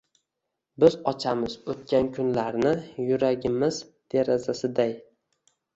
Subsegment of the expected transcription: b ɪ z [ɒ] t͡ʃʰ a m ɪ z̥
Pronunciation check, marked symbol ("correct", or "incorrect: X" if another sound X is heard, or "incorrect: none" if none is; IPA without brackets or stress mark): correct